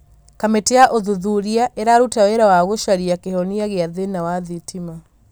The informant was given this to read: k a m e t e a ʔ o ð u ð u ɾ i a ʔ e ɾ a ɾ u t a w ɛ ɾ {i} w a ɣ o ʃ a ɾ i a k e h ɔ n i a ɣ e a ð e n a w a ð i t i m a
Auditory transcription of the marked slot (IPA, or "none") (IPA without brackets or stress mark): a